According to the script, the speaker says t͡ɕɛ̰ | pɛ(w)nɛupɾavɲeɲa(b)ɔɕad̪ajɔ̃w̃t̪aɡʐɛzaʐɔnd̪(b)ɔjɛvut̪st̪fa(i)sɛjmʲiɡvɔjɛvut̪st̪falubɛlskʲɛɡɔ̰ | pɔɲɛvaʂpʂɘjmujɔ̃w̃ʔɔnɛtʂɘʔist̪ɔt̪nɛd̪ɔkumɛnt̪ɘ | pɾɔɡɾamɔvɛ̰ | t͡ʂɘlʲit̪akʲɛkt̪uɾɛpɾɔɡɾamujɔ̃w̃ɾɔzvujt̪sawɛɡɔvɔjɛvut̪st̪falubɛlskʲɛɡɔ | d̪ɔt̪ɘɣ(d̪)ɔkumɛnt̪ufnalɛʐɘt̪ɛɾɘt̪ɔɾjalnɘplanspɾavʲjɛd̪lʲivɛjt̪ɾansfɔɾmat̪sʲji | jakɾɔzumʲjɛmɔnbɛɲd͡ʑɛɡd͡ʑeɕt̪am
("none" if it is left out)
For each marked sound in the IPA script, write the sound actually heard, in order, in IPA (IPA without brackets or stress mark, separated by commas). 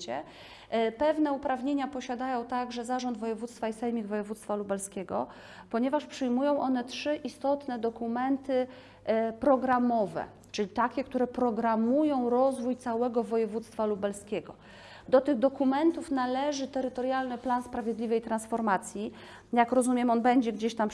v, p, v, i, d̪